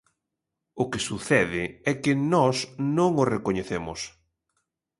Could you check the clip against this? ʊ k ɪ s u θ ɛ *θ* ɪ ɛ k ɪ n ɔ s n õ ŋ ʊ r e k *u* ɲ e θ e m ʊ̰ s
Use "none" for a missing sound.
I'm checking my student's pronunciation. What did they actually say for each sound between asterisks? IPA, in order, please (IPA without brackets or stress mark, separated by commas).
ð, o